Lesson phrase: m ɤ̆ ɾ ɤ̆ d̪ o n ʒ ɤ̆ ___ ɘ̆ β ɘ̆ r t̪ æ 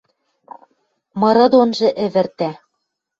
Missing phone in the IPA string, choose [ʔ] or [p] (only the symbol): ʔ